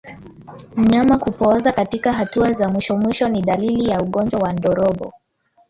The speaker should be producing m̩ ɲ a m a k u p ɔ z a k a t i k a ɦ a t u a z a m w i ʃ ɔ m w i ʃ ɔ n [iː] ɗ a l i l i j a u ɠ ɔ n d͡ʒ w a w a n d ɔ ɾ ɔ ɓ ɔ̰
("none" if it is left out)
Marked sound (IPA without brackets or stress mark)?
i